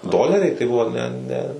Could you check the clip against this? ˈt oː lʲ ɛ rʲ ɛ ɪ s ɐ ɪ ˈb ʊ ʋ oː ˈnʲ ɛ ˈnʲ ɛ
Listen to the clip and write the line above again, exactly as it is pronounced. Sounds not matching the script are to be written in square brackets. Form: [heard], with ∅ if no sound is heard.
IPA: [ˈd] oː lʲ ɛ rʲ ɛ ɪ [t] ɐ ɪ ˈb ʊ ʋ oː ˈnʲ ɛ ˈnʲ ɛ